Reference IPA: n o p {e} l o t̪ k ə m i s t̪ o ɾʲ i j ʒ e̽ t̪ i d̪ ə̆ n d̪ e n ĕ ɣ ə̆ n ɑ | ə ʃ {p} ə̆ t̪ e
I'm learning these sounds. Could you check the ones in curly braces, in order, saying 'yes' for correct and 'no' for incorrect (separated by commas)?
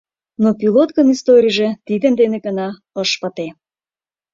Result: no, yes